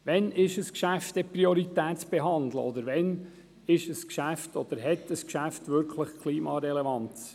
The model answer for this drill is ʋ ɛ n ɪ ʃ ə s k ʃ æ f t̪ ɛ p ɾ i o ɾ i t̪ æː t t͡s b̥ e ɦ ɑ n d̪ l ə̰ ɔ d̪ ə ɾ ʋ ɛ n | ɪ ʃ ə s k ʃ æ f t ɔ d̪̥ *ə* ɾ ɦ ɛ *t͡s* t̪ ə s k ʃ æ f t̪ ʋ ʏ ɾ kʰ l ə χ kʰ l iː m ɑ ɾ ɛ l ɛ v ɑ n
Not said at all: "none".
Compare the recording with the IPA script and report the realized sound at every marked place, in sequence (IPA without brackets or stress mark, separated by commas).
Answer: ə, none